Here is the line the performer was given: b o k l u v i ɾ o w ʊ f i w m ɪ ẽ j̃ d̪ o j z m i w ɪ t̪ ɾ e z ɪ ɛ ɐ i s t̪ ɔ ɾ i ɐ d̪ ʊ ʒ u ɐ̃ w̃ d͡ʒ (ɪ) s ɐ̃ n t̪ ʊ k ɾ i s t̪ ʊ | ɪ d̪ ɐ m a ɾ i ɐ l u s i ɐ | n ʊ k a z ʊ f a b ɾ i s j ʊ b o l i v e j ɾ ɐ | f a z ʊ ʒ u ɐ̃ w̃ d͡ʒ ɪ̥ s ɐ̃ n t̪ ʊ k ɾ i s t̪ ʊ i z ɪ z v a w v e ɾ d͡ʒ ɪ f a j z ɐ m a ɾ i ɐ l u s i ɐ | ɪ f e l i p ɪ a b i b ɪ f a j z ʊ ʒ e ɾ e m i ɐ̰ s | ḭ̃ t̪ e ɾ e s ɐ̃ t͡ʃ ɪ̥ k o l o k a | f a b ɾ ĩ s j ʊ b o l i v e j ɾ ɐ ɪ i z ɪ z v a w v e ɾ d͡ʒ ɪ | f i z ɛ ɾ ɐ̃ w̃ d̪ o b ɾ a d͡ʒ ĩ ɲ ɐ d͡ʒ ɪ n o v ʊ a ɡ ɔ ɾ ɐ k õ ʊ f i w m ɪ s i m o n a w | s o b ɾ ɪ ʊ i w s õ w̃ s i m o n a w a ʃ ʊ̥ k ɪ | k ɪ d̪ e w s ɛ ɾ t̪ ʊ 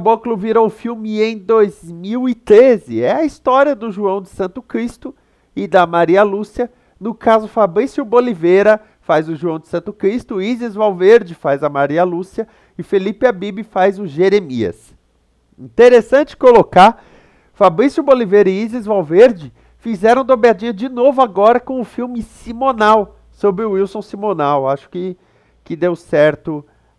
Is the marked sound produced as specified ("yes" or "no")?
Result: yes